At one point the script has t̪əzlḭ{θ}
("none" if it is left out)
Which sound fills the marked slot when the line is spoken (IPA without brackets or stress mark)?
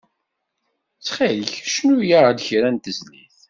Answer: θ